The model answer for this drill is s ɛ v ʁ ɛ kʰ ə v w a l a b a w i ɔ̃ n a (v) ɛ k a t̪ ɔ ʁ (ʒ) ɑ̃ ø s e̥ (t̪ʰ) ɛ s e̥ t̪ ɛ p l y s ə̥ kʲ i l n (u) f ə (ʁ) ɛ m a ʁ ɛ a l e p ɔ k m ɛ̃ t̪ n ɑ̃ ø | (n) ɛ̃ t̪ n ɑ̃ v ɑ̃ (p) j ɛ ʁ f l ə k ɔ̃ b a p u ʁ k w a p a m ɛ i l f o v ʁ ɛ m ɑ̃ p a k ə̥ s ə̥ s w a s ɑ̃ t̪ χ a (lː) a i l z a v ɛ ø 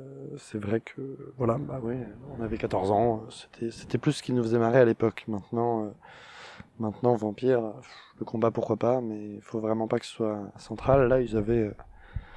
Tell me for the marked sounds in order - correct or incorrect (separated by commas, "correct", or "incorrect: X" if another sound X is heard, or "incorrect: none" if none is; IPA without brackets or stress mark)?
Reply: correct, incorrect: z, correct, correct, incorrect: z, incorrect: m, correct, correct